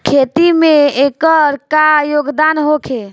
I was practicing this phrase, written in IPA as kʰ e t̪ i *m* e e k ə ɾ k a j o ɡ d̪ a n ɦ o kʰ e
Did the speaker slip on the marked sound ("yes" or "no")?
no